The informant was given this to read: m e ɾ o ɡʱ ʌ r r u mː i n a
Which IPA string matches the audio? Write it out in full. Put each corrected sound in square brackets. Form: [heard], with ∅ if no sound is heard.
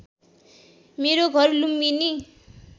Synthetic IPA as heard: m e ɾ o ɡʱ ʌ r [l] u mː i n [i]